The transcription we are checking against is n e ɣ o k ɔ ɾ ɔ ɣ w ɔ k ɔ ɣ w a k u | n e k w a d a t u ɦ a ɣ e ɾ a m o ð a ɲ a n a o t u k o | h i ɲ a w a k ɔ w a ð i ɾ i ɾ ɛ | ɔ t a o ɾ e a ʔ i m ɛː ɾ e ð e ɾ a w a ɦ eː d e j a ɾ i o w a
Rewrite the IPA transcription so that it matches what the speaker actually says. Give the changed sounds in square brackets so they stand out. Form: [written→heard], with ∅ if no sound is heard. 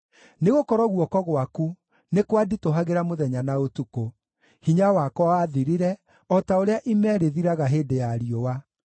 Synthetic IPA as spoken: n e ɣ o k ɔ ɾ ɔ ɣ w ɔ k ɔ ɣ w a k u | n e k w a d [a→i] t [u→o] ɦ a ɣ e ɾ a m o ð [a→ɛ] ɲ a n a o t u k o | h i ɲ a w a k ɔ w a ð i ɾ i ɾ ɛ | ɔ t a o ɾ e a ʔ i m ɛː ɾ e ð [e→i] ɾ a [w→ɣ] a ɦ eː d e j a ɾ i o w a

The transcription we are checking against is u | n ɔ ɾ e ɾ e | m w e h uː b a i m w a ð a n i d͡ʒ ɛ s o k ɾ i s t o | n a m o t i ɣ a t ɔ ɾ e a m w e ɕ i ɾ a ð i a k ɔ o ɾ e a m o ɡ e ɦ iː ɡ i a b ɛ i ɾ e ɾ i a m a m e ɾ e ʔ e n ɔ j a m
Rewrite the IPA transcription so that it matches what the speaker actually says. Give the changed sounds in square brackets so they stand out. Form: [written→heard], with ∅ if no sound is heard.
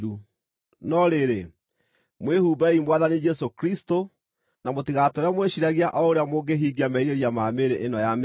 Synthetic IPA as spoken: u | n ɔ ɾ e ɾ e | m w e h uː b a i m w a ð a n i d͡ʒ ɛ s o k ɾ i s t o | n a m o t i ɣ a t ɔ ɾ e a m w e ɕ i ɾ a [ð→ɣ] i a [k→ʔ] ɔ o ɾ e a m o ɡ e ɦ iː ɡ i a [b→m] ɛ i ɾ e ɾ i a m a m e ɾ e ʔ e n ɔ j a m

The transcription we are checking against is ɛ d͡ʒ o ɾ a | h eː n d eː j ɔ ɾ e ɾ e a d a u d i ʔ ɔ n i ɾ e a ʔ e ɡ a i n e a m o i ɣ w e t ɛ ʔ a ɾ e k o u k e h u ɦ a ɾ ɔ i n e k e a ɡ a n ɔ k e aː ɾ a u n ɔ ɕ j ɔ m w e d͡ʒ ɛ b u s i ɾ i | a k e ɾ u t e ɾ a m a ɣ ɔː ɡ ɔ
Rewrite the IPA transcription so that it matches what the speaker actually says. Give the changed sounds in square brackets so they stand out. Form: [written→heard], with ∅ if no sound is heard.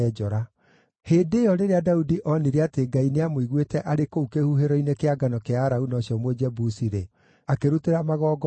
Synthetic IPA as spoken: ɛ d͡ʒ [o→ɔ] ɾ a | h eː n d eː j ɔ ɾ e ɾ e a d a u d i ʔ ɔ n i ɾ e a [ʔ→t] e ɡ a i n e a m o i ɣ w e t ɛ ʔ a ɾ e k o u k e h u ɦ [a→e] ɾ ɔ i n e k e a ɡ a n ɔ k e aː ɾ a u n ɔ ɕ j ɔ m w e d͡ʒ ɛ b u s i ɾ [i→e] | a k e ɾ u t e ɾ a m a ɣ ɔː ɡ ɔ

